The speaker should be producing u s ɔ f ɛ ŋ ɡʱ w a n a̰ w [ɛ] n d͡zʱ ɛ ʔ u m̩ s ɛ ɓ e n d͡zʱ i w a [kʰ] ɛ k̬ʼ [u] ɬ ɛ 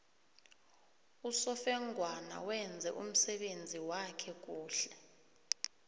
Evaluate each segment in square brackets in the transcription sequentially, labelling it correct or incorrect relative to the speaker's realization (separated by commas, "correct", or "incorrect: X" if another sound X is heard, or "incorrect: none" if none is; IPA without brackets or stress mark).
correct, correct, incorrect: uː